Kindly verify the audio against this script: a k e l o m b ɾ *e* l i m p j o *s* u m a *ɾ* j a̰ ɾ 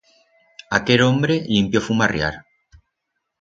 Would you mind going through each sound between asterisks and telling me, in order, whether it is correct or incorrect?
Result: correct, incorrect: f, incorrect: r

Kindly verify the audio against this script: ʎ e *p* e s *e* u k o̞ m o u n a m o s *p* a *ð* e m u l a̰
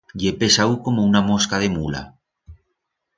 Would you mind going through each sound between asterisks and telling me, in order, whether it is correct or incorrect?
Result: correct, incorrect: a, incorrect: k, correct

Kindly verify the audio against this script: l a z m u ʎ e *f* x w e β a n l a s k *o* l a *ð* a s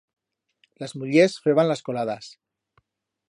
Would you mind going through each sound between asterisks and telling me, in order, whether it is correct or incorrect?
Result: incorrect: s, correct, correct

